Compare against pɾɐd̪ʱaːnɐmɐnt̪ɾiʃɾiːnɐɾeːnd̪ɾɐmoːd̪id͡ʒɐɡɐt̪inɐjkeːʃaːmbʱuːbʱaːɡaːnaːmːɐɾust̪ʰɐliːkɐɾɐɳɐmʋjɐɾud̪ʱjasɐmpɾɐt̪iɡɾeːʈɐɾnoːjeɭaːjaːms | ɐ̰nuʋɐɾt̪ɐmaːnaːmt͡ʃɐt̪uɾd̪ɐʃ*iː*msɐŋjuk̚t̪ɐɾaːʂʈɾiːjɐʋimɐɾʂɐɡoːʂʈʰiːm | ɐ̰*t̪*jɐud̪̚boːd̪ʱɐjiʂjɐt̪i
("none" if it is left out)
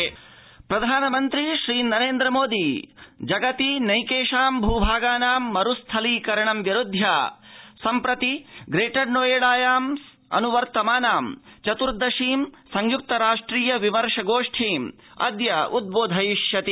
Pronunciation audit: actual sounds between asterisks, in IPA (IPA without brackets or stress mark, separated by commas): iː, d̪